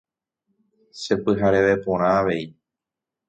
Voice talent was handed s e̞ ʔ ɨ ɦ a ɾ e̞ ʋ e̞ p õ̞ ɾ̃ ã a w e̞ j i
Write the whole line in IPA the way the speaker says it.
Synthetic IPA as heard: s e̞ p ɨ ɦ a ɾ e̞ ʋ e̞ p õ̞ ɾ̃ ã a ʋ e̞ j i